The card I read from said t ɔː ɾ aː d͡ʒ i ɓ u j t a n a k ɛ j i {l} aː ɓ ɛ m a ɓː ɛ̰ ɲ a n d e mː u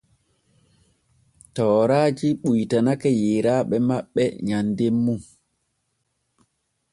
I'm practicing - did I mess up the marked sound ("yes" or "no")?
yes